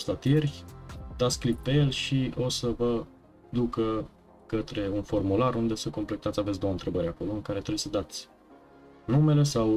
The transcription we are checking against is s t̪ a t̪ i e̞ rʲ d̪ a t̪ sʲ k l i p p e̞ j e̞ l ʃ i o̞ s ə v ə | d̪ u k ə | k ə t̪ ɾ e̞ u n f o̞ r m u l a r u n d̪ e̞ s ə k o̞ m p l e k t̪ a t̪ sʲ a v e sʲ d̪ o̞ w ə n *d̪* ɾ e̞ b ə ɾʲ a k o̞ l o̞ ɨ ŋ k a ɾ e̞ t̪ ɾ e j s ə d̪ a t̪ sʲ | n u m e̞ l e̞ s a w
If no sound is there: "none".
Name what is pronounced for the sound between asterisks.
t̪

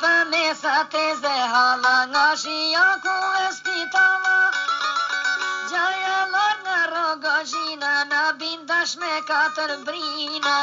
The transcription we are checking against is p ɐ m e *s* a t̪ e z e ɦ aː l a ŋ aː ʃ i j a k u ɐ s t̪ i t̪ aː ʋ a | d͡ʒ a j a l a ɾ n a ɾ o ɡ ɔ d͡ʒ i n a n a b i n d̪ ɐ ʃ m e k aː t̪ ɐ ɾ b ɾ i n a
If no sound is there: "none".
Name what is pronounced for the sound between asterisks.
s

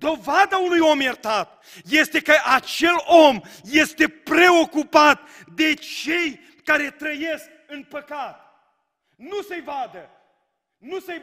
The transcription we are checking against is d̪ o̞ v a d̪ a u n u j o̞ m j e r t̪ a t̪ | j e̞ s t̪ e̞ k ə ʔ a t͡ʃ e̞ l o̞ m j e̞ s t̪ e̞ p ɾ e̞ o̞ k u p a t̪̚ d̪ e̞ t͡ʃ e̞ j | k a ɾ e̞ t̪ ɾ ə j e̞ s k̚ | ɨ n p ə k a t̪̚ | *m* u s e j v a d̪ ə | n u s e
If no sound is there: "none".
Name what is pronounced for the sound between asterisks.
n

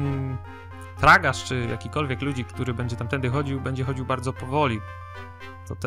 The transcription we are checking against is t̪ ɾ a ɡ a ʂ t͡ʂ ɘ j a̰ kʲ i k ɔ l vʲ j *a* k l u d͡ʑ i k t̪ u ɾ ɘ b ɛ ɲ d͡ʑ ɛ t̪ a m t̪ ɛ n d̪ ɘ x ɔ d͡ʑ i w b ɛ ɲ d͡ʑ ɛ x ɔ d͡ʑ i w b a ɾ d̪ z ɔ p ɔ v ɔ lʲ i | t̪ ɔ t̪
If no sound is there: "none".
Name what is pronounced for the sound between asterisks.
ɛ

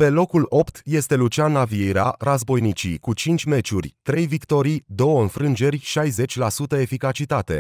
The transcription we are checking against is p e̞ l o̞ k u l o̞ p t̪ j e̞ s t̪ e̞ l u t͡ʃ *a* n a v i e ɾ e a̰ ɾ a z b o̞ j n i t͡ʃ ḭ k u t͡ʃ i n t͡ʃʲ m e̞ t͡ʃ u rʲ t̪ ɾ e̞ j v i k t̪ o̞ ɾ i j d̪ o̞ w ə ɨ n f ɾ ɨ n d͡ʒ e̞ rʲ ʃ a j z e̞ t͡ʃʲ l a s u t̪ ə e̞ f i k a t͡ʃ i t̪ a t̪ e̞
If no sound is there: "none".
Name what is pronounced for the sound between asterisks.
a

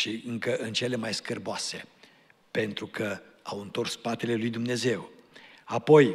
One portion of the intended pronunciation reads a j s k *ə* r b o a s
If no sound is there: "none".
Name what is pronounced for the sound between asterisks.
ə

